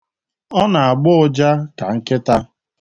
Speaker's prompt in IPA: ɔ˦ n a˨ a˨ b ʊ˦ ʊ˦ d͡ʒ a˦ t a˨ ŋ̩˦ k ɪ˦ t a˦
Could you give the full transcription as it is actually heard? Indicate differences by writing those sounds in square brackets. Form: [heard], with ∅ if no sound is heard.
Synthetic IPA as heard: ɔ˦ n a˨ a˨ [ɡ͡b] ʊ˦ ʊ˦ d͡ʒ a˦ [k] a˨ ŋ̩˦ k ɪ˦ t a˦